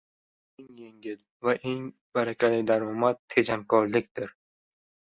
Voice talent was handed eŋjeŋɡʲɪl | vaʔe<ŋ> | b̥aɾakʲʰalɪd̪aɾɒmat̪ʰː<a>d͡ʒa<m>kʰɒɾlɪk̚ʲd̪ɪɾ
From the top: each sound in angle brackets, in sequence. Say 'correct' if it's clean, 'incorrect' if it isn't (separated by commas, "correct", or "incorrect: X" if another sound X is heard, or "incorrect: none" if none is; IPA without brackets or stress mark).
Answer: correct, incorrect: e, correct